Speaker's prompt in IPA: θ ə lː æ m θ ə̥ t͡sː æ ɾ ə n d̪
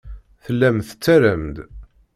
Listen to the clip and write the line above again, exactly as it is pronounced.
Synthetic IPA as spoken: θ ə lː æ m θ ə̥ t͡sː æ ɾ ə m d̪